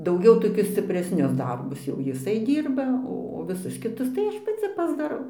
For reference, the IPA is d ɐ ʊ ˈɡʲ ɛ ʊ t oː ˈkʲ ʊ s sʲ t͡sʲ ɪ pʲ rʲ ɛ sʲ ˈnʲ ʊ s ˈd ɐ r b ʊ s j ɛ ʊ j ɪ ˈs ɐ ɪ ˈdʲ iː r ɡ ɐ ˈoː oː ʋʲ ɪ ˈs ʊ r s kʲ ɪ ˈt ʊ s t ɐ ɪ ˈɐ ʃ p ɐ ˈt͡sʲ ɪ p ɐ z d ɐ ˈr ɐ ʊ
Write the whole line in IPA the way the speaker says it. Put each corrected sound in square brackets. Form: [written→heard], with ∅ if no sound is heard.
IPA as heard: d ɐ ʊ ˈɡʲ ɛ ʊ t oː ˈkʲ ʊ s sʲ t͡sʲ ɪ pʲ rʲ ɛ sʲ ˈnʲ ʊ s ˈd ɐ r b ʊ s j ɛ ʊ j ɪ ˈs ɐ ɪ ˈdʲ iː r [ɡ→b] ɐ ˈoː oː ʋʲ ɪ ˈs ʊ [r→∅] s kʲ ɪ ˈt ʊ s t ɐ ɪ ˈɐ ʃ p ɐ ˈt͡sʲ ɪ p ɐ z d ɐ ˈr ɐ ʊ